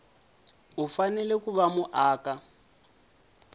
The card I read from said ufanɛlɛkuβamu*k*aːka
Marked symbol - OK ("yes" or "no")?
no